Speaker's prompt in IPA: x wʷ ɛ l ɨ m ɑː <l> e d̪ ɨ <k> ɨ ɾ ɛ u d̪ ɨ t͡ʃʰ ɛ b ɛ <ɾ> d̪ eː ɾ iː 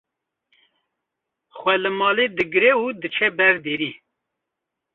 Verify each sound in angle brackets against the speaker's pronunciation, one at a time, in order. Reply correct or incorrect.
correct, incorrect: ɡ, correct

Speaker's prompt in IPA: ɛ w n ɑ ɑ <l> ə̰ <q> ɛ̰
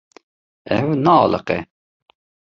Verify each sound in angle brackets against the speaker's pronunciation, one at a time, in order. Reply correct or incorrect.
correct, correct

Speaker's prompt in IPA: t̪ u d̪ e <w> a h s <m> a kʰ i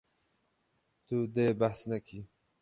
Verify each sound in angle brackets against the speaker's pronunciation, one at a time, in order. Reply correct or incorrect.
incorrect: b, incorrect: n

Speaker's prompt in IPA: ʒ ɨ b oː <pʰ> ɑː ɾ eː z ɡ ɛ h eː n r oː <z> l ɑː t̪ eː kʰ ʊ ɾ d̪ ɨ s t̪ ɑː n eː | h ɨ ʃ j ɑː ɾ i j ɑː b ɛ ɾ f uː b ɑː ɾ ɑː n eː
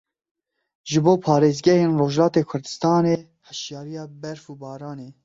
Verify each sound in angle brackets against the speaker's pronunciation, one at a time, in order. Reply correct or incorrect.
correct, incorrect: ʒ

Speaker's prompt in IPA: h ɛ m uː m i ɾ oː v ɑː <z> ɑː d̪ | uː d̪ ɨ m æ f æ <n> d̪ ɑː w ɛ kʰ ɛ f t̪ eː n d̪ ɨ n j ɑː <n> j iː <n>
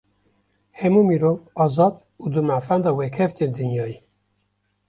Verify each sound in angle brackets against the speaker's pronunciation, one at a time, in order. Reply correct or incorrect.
correct, correct, incorrect: none, incorrect: none

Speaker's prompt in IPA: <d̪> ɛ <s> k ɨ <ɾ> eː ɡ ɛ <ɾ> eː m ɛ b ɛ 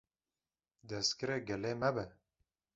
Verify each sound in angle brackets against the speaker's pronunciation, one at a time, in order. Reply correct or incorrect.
correct, correct, correct, incorrect: l

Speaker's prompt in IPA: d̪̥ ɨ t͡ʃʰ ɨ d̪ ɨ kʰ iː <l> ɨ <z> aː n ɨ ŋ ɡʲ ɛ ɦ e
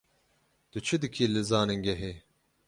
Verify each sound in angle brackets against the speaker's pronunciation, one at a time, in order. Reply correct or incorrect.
correct, correct

